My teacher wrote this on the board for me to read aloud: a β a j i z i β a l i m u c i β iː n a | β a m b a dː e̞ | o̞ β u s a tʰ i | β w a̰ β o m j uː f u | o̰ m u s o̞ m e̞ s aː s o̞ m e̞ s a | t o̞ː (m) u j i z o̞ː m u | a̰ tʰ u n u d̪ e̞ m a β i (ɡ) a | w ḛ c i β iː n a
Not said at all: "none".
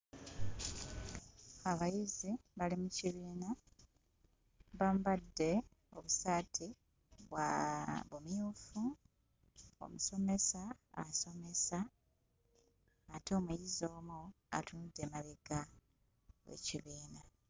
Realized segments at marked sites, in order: m, ɡ

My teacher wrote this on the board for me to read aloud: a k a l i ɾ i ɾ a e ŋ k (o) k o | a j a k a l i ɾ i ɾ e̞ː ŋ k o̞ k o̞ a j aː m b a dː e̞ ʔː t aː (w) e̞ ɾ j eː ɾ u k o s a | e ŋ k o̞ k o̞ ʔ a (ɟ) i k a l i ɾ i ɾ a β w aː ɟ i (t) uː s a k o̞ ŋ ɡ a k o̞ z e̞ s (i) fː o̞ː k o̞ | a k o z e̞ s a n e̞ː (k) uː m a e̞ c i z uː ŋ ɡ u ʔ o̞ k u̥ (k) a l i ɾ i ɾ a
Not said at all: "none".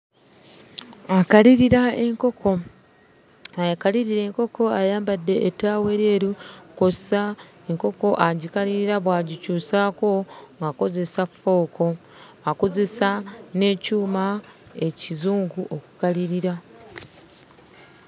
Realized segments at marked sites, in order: o, w, ɟ, c, a, c, k

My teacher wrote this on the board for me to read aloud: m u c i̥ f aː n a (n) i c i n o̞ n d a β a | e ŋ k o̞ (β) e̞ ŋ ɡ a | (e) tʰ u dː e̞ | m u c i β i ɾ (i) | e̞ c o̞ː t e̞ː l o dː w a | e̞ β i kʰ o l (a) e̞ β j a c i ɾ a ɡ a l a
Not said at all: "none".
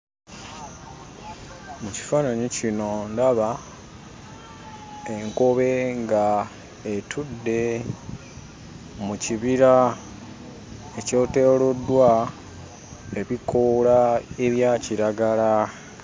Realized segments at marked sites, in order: ɲ, β, e, a, a

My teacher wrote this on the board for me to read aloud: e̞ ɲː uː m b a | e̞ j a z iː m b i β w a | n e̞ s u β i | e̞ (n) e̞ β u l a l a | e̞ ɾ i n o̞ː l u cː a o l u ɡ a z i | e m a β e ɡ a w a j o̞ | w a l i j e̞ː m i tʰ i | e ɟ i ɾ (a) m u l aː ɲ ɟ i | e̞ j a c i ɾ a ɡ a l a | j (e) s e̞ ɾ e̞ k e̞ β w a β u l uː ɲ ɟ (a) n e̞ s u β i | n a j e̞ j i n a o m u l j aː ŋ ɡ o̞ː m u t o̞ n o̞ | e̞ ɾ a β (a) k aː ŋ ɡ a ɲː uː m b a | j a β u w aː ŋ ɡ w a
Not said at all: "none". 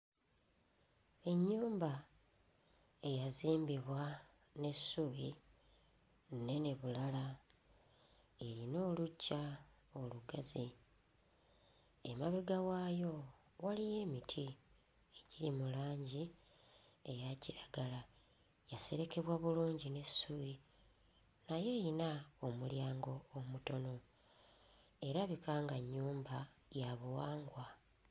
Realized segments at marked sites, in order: n, i, a, i, i

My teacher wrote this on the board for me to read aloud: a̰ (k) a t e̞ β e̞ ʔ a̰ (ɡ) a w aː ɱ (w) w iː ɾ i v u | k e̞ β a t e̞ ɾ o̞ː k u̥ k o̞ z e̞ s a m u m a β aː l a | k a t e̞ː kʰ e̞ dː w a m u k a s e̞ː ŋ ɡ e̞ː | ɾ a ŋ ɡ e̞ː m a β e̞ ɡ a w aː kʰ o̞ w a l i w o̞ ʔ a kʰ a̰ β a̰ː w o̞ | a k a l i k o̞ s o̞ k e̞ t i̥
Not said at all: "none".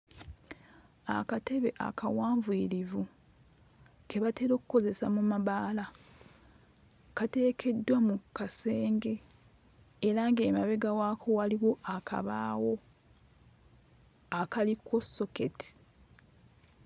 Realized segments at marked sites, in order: k, k, v

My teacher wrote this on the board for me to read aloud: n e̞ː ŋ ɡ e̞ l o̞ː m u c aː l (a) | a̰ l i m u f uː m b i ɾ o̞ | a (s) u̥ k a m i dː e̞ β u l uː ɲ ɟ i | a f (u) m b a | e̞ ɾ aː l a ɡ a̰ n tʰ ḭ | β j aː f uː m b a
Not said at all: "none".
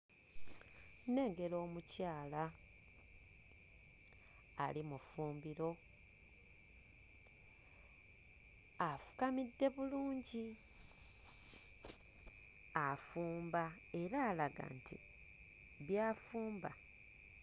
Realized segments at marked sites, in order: a, f, uː

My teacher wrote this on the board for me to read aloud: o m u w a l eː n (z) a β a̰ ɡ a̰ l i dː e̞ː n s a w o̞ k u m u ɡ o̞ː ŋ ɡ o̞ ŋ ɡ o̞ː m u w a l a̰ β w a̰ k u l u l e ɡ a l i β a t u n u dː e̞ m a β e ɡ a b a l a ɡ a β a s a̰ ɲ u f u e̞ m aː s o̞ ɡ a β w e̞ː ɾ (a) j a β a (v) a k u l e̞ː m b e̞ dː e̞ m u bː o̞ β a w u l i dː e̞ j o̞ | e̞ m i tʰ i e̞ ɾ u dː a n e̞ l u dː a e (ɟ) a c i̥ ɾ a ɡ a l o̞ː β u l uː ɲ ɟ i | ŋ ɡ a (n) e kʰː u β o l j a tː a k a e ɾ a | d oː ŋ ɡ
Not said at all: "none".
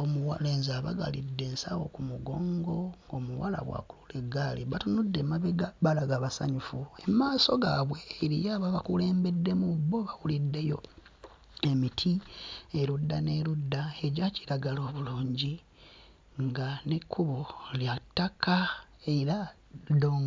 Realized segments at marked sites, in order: z, i, β, ɟ, n

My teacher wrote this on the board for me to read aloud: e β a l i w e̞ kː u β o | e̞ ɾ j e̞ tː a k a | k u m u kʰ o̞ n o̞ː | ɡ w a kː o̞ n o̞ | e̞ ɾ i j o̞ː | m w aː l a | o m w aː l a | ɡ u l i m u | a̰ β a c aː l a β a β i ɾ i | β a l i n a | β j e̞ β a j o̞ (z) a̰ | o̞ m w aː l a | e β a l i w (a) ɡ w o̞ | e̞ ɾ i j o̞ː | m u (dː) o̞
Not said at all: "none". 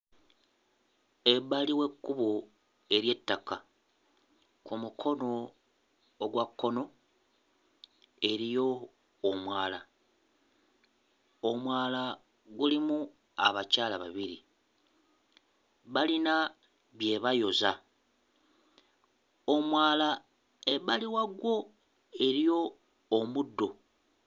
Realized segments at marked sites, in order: z, a, dː

